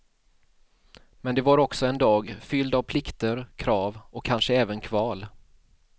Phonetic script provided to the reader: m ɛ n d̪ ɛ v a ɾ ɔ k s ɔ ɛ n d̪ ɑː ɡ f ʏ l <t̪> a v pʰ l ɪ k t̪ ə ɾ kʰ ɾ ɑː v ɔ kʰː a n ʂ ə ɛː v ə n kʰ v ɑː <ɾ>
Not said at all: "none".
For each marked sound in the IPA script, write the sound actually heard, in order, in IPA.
d̪, l

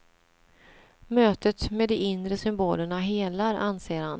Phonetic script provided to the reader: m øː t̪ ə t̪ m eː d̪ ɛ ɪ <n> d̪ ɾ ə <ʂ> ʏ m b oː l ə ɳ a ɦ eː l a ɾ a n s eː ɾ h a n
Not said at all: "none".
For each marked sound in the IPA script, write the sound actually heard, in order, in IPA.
n, s

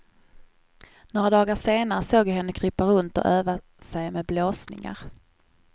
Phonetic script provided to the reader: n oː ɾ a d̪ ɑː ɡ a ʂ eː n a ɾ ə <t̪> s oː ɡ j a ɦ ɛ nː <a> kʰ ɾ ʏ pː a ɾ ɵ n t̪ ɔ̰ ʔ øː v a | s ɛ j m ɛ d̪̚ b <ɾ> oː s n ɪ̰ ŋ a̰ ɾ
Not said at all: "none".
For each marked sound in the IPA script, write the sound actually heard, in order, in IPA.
none, ə, l

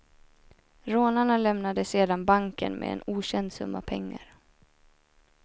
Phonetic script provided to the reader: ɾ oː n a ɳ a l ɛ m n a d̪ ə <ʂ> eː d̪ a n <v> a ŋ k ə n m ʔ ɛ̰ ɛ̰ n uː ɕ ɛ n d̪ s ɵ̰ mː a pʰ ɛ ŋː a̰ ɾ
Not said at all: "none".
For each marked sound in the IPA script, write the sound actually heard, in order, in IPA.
s, b

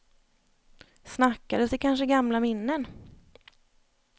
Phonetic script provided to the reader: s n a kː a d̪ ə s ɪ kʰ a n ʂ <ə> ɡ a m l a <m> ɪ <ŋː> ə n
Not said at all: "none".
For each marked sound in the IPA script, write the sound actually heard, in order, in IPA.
ə, m, nː

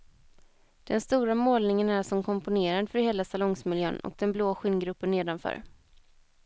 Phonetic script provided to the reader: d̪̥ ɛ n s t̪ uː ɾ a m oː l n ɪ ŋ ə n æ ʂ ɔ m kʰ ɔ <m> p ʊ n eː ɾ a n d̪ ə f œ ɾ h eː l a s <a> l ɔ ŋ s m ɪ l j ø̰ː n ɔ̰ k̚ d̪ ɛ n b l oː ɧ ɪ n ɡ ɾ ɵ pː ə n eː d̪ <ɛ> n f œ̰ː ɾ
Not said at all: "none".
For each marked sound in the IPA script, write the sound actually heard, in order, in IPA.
m, a, a

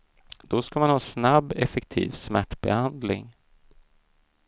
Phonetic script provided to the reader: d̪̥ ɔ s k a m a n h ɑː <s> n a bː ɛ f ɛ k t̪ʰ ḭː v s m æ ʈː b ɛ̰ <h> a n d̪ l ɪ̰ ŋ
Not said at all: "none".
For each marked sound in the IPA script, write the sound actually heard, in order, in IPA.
s, h

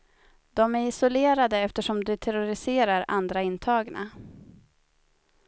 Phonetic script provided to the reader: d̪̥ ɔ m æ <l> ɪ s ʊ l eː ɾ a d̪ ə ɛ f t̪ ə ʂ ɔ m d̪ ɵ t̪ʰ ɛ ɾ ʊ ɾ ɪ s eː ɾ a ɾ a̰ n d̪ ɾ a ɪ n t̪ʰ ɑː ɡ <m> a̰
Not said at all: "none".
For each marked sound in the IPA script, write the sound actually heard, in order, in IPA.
ɾ, n

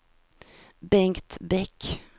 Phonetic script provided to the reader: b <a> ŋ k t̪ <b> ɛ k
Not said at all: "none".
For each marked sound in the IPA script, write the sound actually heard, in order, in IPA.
ɛ, b

